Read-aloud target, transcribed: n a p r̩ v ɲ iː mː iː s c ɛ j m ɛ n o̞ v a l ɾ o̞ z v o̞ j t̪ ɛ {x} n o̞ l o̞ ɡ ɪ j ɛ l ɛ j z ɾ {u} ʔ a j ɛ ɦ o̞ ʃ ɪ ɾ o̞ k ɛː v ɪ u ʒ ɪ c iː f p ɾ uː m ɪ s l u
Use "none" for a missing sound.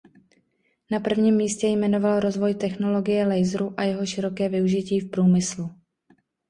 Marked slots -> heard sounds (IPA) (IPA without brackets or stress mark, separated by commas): x, u